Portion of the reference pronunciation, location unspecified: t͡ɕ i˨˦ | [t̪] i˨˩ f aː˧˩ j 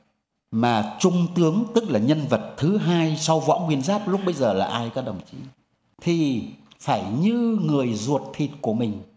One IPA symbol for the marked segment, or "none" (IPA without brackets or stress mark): t̪ʰ